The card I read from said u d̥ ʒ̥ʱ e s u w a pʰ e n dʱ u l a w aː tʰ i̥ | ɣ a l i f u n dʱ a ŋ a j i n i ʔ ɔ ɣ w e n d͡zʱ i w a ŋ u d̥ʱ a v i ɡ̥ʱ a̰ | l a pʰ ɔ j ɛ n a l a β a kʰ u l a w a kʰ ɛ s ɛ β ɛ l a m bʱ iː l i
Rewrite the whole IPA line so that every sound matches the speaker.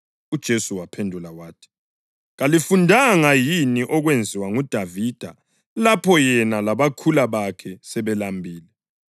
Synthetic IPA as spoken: u d̥ ʒ̥ʱ e s u w a pʰ e n dʱ u l a w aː tʰ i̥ | ɣ a l i f u n dʱ a ŋ a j i n i ʔ ɔ ɣ w e n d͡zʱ i w a ŋ u d̥ʱ a v i d̥ʱ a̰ | l a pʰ ɔ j ɛ n a l a β a kʰ u l a β a kʰ ɛ s ɛ β ɛ l a m bʱ iː l ɛ